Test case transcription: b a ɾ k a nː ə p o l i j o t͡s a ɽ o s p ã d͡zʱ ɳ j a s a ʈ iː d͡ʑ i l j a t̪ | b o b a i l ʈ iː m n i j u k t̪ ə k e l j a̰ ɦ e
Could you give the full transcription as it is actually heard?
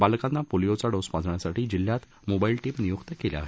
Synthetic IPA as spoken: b a l k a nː a p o l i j o t͡s a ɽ o s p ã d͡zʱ ɳ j a s a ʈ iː d͡ʑ i l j a t̪ | m o b a i l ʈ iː m n i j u k t̪ ə k e l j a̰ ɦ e

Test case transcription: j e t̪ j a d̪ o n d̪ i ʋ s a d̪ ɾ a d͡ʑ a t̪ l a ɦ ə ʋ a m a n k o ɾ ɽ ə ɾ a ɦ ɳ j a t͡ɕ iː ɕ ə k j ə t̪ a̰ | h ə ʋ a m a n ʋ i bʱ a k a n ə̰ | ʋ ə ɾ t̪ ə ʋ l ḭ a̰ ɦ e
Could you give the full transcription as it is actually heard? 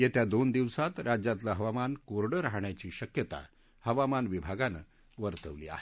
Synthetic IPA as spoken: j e t̪ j a d̪ o n d̪ i ʋ s a t̪ ɾ a d͡ʑ a t̪ l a ɦ ə ʋ a m a n k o ɾ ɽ ə ɾ a ɦ ɳ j a t͡ɕ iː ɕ ə k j ə t̪ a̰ | h ə ʋ a m a n ʋ i bʱ a ɡ a n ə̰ | ʋ ə ɾ t̪ ə ʋ l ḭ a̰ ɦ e

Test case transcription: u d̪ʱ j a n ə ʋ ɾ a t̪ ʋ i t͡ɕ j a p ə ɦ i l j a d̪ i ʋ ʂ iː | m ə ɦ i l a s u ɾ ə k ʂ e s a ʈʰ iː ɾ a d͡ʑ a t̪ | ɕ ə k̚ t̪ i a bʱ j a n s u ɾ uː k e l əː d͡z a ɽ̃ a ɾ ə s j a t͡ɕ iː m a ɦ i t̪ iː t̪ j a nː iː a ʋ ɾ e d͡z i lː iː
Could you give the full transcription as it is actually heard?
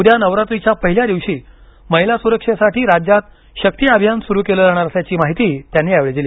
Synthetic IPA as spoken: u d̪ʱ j a n ə ʋ ɾ a t̪ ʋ i t͡ɕ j a p ə ɦ i l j a d̪ i ʋ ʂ iː | m ə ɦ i l a s u ɾ ə k ʂ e s a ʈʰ iː ɾ a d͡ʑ a t̪ | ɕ ə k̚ t̪ i a bʱ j a n s u ɾ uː k e l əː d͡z a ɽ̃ a ɾ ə s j a t͡ɕ iː m a ɦ i t̪ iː t̪ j a nː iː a ʋ ɭ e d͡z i l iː

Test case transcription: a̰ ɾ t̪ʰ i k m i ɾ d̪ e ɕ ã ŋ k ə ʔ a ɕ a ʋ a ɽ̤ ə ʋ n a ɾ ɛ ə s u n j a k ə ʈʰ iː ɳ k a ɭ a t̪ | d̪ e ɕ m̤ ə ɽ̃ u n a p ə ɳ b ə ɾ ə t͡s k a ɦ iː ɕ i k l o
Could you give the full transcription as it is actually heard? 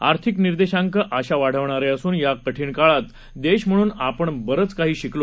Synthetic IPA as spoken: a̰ ɾ t̪ʰ i k n i ɾ d̪ e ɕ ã ŋ k ə ʔ a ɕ a ʋ a ɽ̤ ə ʋ ɳ a ɾ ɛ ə s uː n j a k ə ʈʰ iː ɳ k a ɭ a t̪ | d̪ e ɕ m̤ ə ɽ̃ uː n a p ə ɳ b ə ɾ ə t͡s k a ɦ iː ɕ i k l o

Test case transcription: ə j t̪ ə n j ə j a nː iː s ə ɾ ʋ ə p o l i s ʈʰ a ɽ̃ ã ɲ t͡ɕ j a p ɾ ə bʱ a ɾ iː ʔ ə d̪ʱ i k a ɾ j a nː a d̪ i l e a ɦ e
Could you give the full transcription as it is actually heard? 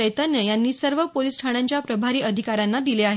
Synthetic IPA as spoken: ə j t̪ ə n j ə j a nː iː s ə ɾ ʋ ə p o l i s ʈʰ a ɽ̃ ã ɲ t͡ɕ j a p ɾ ə bʱ a ɾ iː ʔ ə d̪ʱ i k a ɾ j a nː a d̪ i l e a ɦ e

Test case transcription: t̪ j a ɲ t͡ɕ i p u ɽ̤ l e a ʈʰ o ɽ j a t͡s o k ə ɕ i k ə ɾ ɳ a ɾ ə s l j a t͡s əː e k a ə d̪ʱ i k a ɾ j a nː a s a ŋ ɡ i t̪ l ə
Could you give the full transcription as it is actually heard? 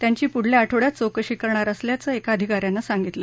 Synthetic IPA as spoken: t̪ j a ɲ t͡ɕ iː p u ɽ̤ l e a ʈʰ o ɽ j a t͡s o k ə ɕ i k ə ɾ ɳ a ɾ ə s l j a t͡s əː e k a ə d̪ʱ i k a ɾ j a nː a s a ŋ ɡ i t̪ l ə

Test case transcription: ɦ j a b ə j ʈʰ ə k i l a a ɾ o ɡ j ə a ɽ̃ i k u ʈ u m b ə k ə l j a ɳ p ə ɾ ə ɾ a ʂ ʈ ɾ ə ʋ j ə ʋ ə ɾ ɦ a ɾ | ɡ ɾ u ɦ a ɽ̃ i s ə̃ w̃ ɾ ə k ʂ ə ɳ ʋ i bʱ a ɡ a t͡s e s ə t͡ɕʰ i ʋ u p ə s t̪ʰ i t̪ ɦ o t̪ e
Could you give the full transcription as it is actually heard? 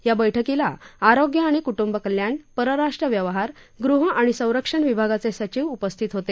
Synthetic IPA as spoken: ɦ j a b ə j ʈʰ ə k i l a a ɾ o ɡ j ə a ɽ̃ i k u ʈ u m b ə k ə l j a ɳ p ə ɾ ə ɾ a ʂ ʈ ɾ ə ʋ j ə ʋ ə ɦ a ɾ | ɡ ɾ u ɦ a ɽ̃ i s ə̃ w̃ ɾ ə k ʂ ə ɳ ʋ i bʱ a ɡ a t͡s e s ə t͡ɕ i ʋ u p ə s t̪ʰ i t̪ ɦ o t̪ e

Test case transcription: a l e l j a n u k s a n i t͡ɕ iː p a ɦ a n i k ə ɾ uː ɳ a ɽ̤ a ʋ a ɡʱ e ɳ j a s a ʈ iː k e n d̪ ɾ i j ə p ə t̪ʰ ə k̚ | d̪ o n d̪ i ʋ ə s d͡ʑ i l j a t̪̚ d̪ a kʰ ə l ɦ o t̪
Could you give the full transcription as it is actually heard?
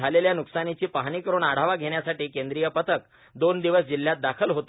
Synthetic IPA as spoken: a l e l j a n u k s a n i t͡ɕ iː p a ɦ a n i k ə ɾ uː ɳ a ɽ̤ a ʋ a ɡʱ e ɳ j a s a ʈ iː k e n d̪ ɾ i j ə p ə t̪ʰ ə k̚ | d̪ o n d̪ i ʋ ə s d͡ʑ i l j a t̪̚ d̪ a kʰ ə l ɦ o t̪

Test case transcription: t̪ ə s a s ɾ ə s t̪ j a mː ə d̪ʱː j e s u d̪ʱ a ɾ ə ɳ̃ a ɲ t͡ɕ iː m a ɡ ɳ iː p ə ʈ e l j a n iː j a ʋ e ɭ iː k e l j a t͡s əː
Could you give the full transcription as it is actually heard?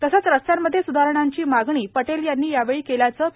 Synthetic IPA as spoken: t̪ ə s a t͡s ɾ ə s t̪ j a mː ə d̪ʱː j e s u d̪ʱ a ɾ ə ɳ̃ a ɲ t͡ɕ iː m a ɡ ɳ iː p ə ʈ e l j a nː iː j a ʋ e ɭ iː k e l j a t͡s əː

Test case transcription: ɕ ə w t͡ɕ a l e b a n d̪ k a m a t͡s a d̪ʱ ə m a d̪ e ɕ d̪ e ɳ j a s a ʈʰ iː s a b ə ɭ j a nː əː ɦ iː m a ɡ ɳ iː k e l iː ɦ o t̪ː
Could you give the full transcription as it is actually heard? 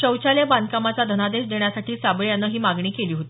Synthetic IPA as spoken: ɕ ə w t͡ɕ a l e b a n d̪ k a m a t͡s a d̪ʱ ə n a d̪ e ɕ d̪ e ɳ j a s a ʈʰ iː s a b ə ɭ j a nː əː ɦ iː m a ɡ ɳ iː k e l iː ɦ o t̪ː

